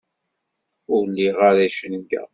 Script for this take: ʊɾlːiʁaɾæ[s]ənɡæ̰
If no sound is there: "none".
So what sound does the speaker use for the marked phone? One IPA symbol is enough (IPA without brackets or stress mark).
ʃ